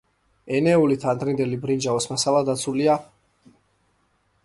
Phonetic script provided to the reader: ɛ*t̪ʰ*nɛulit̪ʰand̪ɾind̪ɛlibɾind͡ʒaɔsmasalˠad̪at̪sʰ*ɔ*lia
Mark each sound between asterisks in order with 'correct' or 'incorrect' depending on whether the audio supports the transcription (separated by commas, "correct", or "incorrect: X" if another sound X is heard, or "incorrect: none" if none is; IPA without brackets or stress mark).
incorrect: none, incorrect: u